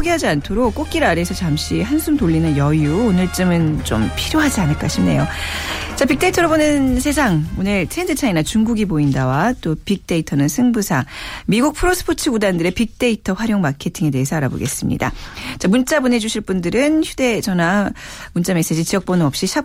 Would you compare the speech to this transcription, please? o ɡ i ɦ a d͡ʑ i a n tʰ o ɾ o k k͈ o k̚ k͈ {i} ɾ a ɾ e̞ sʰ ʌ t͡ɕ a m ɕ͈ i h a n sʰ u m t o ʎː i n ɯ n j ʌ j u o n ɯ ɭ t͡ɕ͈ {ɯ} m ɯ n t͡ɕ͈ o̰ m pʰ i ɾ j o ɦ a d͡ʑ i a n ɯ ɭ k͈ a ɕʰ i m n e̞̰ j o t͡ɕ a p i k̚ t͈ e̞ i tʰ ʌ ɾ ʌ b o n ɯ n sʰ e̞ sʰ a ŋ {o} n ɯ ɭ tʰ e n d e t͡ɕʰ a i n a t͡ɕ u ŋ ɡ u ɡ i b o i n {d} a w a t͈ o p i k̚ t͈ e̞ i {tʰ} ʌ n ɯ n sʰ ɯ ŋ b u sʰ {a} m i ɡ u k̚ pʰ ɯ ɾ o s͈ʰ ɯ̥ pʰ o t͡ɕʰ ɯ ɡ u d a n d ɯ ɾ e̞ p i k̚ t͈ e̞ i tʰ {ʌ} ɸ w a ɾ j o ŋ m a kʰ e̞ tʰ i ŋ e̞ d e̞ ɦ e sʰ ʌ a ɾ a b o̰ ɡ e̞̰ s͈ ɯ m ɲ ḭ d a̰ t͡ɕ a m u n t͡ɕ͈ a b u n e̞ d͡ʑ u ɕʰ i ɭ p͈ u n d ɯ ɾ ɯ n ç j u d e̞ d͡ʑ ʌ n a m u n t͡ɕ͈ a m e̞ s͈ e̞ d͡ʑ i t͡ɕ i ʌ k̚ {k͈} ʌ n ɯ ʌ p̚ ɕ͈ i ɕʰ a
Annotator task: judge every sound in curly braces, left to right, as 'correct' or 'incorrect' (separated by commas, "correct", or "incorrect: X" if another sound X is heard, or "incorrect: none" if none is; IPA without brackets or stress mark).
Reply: correct, correct, correct, correct, correct, correct, correct, incorrect: p͈